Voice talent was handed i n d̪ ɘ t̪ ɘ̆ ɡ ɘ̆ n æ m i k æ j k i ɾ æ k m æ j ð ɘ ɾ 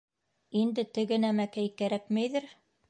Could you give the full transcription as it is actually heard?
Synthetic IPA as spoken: i n d̪ ɘ t̪ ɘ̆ ɡ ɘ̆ n æ m æ k æ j k æ ɾ æ k m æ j ð ɘ ɾ